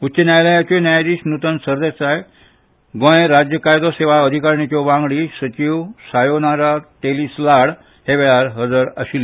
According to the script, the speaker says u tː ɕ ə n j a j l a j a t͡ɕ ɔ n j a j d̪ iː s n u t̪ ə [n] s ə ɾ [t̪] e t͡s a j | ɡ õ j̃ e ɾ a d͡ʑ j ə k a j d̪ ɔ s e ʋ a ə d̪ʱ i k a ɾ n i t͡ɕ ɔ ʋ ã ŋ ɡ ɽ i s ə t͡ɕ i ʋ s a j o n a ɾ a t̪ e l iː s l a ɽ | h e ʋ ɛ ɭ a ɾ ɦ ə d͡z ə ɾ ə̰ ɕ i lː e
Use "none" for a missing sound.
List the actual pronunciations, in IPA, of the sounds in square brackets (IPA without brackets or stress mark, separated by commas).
n, d̪